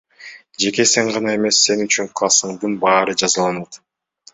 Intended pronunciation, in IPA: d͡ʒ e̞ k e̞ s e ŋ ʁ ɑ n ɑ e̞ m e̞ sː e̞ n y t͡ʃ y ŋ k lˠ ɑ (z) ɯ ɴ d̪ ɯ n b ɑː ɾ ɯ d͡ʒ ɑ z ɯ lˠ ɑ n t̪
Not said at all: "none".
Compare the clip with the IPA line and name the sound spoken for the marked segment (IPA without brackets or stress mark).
s